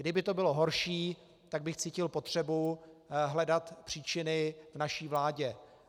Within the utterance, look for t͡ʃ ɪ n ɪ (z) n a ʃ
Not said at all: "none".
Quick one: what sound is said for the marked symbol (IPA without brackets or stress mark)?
v